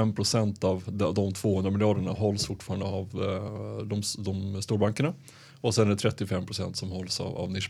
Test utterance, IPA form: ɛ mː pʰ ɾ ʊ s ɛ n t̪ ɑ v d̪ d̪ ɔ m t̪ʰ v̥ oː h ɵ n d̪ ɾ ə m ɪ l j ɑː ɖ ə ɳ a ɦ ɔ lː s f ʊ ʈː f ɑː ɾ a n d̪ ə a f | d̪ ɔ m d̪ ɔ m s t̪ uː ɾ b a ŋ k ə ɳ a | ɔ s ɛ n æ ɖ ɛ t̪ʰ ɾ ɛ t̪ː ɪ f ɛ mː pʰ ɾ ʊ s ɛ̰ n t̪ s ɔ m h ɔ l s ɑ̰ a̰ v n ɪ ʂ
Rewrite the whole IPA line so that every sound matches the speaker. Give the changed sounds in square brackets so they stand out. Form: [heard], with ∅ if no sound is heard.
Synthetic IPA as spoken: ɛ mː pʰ ɾ ʊ s ɛ n t̪ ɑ v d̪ d̪ ɔ m t̪ʰ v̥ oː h ɵ n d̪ ɾ [a] m ɪ l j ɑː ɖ ə ɳ a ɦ ɔ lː s f ʊ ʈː f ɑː ɾ a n d̪ ə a [v] | d̪ ɔ m d̪ ɔ m s t̪ uː ɾ b a ŋ k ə ɳ a | ɔ s ɛ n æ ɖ ɛ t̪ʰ ɾ ɛ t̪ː ɪ f ɛ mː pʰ ɾ ʊ s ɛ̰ n t̪ s ɔ m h ɔ l s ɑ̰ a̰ v n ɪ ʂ